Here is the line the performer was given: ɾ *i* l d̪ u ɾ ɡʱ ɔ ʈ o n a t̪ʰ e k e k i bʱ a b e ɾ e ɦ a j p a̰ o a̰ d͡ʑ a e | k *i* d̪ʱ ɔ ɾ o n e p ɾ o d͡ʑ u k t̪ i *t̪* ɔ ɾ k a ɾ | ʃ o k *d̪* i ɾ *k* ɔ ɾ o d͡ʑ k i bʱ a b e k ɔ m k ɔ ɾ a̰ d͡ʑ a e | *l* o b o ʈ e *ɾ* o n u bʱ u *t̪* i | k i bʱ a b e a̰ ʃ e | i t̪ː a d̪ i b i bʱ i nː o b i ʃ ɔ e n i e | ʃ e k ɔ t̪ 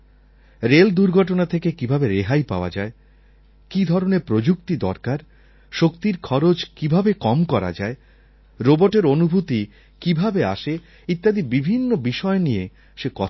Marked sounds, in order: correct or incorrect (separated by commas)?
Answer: incorrect, correct, incorrect, incorrect, incorrect, incorrect, correct, correct